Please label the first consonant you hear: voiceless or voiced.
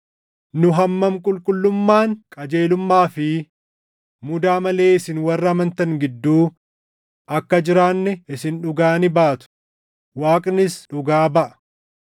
voiced